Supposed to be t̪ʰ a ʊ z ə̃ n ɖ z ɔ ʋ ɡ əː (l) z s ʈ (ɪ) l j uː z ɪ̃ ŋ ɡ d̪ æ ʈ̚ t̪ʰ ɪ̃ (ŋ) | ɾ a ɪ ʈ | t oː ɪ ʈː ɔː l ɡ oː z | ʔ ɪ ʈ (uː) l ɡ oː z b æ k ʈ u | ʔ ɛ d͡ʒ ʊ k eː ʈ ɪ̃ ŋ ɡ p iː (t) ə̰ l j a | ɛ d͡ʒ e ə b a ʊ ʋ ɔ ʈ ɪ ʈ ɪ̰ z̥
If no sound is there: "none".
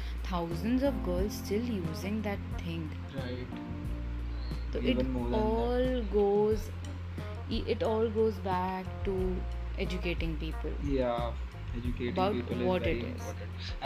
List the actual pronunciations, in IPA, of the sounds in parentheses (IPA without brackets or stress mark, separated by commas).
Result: l, ɪ, ŋ, ɔː, p